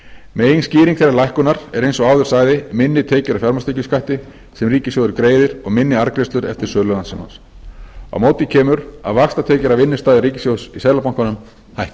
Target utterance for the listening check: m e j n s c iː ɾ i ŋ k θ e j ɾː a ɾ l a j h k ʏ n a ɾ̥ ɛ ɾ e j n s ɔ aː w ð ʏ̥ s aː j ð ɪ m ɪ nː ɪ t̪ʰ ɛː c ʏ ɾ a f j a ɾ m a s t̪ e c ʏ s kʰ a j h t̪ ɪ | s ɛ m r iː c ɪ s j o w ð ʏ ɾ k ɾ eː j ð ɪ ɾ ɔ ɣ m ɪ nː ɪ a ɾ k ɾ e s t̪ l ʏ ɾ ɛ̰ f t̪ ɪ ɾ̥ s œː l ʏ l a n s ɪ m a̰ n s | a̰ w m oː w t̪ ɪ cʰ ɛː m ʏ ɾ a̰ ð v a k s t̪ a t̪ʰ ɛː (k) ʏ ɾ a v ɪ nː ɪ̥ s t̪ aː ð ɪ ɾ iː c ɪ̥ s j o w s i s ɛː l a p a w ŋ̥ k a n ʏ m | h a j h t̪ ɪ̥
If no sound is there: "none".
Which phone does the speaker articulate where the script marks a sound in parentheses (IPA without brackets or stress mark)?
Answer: c